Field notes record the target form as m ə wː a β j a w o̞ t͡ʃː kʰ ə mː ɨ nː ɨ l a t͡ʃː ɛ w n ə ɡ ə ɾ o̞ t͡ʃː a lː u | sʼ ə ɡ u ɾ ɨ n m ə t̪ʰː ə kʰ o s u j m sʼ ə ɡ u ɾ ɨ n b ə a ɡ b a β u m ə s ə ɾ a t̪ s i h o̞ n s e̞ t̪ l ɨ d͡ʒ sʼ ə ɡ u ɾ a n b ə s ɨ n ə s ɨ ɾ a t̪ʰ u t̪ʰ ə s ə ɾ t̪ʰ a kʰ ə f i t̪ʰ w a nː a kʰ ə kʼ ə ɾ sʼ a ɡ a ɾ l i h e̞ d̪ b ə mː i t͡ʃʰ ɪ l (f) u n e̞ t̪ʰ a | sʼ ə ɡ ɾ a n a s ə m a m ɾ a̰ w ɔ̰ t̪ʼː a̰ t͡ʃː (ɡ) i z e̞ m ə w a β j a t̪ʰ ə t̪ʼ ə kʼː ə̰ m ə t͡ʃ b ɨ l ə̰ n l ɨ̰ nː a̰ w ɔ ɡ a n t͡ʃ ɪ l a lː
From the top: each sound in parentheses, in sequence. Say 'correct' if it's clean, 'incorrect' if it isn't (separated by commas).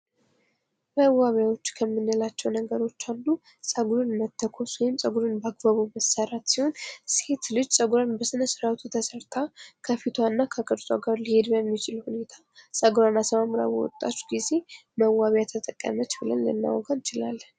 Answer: incorrect, correct